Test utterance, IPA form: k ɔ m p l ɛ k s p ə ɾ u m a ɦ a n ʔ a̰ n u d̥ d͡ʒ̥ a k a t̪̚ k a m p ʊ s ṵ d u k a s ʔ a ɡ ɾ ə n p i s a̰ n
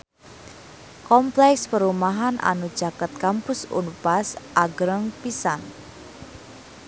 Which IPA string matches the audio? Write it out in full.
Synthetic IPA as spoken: k ɔ m p l ɛ k s p ə ɾ u m a ɦ a n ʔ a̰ n u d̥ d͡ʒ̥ a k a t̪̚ k a m p ʊ s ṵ n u p a s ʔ a ɡ ɾ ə ŋ p i s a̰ n